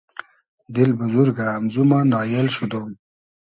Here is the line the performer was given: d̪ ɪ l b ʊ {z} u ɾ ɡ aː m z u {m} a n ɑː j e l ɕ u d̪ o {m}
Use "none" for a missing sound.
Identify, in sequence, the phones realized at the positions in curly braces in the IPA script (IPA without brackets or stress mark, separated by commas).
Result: z, m, m